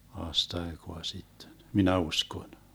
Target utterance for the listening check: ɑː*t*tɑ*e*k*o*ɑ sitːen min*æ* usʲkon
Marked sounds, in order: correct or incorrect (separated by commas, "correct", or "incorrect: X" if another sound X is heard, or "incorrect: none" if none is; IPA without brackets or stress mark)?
incorrect: s, correct, correct, correct